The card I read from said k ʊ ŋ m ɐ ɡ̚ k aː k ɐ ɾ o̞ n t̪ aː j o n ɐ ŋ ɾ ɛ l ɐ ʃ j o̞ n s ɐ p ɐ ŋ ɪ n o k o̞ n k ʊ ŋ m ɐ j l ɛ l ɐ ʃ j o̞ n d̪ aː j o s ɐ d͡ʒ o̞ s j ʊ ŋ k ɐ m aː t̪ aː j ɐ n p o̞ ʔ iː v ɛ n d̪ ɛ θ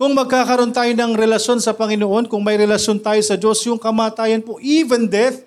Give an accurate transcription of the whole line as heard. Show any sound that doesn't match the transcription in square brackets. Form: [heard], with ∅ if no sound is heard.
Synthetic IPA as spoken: k ʊ ŋ m ɐ ɡ̚ k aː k ɐ ɾ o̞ n t̪ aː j o n ɐ ŋ ɾ ɛ l ɐ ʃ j o̞ n s ɐ p ɐ ŋ ɪ n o [ʔ] o̞ n k ʊ ŋ m ɐ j [ɾ] ɛ l ɐ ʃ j o̞ n [t̪] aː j o s ɐ d͡ʒ o̞ s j ʊ ŋ k ɐ m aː t̪ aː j ɐ n p o̞ ʔ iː v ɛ n d̪ ɛ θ